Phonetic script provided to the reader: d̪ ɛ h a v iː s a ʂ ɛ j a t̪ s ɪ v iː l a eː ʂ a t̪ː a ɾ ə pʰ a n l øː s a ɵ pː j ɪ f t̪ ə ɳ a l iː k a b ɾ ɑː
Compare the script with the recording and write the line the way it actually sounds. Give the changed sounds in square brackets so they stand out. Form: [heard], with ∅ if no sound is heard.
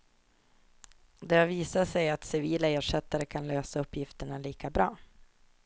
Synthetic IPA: d̪ ɛ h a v iː s a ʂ ɛ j a t̪ s ɪ v iː l a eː ʂ [ɛ] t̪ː a ɾ ə [kʰ] a n l øː s a ɵ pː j ɪ f t̪ ə ɳ a l iː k a b ɾ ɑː